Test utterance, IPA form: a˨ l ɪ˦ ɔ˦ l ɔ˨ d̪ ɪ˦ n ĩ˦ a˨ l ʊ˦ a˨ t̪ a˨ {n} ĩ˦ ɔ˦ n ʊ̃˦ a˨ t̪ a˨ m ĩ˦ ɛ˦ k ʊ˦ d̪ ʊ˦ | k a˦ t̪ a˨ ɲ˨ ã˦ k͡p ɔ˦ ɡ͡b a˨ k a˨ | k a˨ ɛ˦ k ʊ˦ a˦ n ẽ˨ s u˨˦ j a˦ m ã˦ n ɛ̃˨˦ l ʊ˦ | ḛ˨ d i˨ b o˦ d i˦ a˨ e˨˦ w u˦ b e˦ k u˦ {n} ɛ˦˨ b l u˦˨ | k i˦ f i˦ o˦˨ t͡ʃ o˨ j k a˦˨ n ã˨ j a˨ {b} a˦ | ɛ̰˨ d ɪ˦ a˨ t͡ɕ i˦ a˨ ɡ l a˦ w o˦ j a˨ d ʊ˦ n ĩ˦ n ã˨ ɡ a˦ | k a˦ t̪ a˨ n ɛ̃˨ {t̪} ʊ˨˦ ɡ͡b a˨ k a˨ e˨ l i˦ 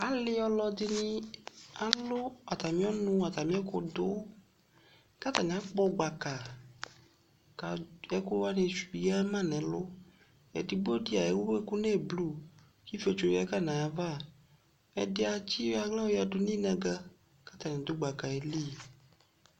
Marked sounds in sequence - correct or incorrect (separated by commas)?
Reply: incorrect, correct, incorrect, incorrect